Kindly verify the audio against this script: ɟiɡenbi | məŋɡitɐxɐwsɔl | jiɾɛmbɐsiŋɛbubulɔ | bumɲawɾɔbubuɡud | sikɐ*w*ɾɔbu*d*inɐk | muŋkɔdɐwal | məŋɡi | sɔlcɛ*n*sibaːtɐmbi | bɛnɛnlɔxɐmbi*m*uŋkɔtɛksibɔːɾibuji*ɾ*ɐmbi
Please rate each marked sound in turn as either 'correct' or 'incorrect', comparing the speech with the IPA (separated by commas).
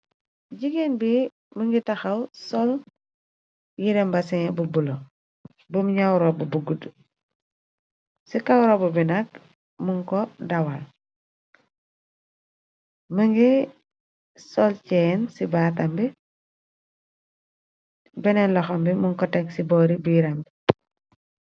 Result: correct, incorrect, correct, correct, correct